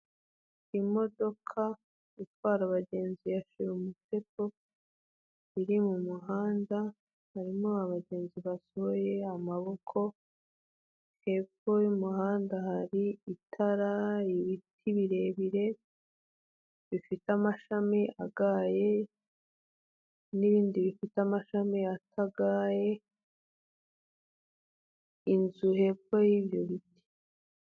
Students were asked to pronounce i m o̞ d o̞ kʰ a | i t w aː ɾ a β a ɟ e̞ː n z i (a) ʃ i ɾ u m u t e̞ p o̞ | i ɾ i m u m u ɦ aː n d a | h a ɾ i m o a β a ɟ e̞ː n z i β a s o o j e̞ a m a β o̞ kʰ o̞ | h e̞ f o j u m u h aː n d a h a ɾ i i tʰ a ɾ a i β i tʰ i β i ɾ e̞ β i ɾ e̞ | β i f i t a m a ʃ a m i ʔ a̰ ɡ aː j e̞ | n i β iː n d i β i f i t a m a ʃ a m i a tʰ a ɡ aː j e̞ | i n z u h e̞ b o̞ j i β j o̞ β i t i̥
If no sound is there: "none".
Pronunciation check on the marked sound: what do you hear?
a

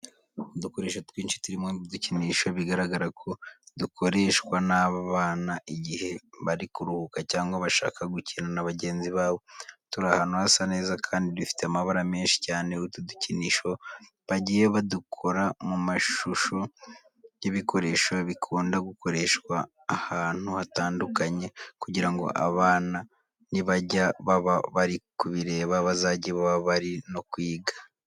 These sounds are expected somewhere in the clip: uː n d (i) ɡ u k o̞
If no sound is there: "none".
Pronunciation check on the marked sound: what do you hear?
a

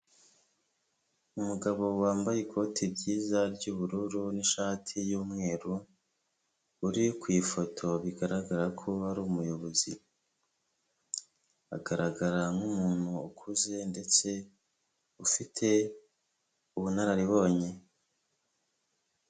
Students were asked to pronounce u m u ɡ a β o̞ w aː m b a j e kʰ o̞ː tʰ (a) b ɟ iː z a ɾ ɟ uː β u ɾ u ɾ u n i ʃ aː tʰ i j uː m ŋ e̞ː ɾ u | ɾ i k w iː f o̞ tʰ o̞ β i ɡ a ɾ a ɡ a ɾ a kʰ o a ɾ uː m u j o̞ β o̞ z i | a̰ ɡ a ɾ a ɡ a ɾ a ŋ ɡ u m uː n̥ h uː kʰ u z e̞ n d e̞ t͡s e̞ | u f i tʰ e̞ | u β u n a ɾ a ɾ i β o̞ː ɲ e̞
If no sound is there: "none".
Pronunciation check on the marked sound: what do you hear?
i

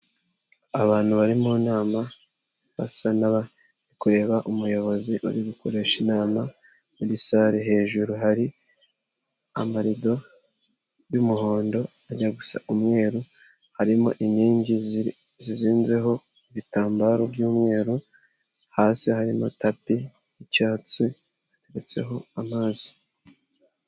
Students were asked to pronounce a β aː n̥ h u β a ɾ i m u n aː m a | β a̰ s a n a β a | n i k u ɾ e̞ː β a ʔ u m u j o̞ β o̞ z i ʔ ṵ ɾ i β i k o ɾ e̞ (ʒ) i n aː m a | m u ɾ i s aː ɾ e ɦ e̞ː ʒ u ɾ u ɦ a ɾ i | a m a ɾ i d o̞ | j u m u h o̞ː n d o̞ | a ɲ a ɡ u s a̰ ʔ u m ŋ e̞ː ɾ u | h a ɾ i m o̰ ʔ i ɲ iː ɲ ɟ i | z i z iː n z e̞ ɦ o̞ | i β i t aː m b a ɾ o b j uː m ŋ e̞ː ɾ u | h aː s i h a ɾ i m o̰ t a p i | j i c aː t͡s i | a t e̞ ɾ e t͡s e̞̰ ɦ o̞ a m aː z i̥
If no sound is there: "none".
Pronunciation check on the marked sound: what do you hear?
ʃ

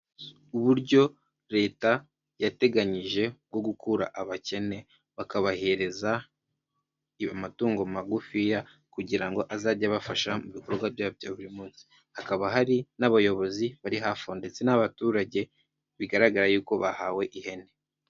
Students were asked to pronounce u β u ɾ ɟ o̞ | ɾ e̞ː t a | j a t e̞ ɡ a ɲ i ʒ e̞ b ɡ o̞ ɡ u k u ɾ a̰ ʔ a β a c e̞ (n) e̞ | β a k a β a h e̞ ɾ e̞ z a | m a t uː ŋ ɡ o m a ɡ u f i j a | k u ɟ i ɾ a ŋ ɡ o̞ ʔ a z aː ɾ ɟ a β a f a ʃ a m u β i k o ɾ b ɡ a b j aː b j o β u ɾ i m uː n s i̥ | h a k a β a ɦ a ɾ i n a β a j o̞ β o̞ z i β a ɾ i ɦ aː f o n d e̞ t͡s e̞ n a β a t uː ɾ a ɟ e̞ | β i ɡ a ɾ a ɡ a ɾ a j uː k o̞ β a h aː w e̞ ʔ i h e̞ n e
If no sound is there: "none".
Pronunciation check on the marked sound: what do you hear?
n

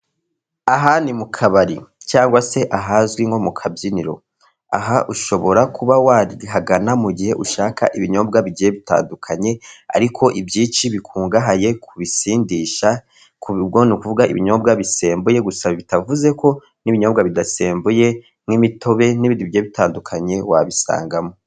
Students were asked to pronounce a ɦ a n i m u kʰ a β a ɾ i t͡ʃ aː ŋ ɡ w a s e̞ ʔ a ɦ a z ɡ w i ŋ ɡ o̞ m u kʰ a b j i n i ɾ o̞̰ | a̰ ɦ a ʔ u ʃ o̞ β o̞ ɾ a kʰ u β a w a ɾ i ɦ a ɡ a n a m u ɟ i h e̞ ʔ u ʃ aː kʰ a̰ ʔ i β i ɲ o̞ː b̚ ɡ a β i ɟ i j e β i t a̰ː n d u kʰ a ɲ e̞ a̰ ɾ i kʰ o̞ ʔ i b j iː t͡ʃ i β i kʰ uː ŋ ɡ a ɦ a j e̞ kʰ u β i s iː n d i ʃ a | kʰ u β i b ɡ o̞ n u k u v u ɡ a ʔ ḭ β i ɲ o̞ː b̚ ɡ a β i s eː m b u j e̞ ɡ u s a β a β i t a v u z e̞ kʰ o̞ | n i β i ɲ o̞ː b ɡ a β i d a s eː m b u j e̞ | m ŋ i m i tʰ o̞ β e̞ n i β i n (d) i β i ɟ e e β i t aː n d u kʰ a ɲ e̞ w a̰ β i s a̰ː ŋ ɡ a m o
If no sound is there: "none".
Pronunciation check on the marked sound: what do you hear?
d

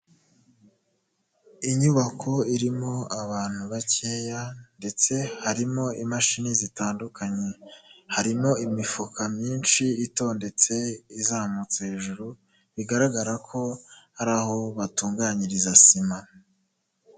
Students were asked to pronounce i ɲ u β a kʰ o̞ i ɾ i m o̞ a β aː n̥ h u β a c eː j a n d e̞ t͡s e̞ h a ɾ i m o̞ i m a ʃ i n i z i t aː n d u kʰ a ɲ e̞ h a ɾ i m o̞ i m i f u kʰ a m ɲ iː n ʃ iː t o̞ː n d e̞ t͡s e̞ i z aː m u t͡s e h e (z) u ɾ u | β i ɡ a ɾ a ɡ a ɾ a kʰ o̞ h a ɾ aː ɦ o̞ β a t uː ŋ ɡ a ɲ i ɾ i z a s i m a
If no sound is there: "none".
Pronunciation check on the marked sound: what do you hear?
ʒ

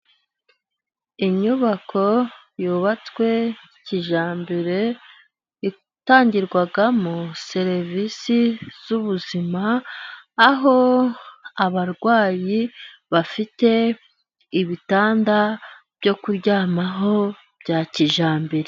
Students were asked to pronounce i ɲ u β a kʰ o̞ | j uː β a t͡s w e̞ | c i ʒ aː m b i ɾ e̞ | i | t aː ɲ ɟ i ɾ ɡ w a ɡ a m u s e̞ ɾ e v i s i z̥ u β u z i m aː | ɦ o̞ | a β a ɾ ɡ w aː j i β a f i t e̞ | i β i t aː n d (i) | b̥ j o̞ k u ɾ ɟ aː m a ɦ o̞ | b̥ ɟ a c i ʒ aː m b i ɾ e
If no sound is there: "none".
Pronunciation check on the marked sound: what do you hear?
a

